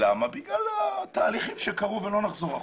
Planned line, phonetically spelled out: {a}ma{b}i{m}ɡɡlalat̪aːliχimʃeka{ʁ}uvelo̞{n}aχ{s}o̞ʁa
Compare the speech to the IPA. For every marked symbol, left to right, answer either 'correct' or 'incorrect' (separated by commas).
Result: correct, correct, incorrect, correct, correct, incorrect